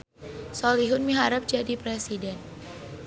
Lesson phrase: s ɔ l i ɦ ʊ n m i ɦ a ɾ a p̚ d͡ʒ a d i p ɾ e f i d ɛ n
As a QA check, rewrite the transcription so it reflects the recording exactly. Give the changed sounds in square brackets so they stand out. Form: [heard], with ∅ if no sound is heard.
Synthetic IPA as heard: s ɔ l i ɦ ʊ n m i ɦ a ɾ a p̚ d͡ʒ a d i p ɾ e [s] i d ɛ n